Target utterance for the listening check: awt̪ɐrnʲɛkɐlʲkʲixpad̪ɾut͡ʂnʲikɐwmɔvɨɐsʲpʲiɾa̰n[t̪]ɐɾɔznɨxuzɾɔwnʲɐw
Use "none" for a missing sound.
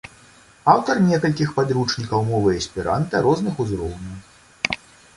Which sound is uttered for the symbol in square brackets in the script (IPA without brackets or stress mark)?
t̪